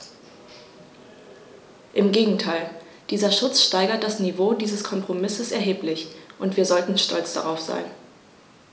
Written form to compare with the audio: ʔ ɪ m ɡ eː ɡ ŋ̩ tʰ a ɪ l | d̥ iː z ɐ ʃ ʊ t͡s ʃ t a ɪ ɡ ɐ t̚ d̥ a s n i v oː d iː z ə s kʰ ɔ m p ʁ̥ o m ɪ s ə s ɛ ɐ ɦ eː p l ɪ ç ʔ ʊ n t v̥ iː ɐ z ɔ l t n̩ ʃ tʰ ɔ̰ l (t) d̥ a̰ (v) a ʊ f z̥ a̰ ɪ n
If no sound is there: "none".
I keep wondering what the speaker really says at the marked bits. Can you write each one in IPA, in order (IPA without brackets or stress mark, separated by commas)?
t͡s, ʁ